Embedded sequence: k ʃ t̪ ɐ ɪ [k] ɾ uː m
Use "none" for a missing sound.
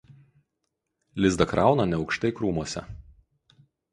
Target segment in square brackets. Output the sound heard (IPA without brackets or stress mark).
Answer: k